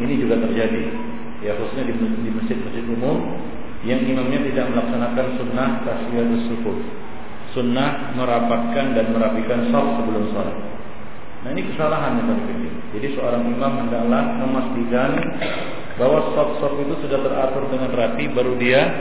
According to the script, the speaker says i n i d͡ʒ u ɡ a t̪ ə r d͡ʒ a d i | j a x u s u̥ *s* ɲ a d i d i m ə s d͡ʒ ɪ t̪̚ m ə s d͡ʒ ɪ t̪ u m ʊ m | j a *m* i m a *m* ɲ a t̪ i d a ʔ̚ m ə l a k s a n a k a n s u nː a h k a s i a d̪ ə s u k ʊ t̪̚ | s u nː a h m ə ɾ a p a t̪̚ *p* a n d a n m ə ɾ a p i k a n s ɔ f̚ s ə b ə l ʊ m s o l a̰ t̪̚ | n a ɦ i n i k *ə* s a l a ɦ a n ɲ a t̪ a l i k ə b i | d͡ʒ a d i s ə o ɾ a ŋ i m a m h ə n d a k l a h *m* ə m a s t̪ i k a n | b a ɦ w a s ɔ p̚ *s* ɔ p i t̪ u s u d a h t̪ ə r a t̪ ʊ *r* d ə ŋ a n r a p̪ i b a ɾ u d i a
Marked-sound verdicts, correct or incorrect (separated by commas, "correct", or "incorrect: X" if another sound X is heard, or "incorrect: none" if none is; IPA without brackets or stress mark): correct, incorrect: ŋ, correct, incorrect: k, correct, correct, correct, correct